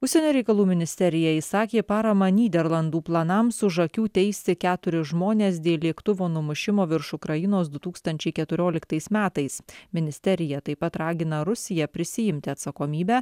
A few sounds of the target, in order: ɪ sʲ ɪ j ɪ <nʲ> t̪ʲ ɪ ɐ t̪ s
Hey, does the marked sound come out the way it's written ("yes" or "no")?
no